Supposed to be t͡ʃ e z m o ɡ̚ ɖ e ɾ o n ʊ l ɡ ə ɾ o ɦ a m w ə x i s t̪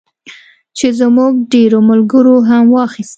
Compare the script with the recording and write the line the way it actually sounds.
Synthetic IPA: t͡ʃ e z m u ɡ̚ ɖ e ɾ o m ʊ l ɡ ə ɾ o ɦ a m w ɑ x i s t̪